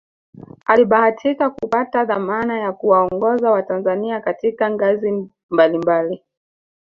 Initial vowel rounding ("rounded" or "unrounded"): unrounded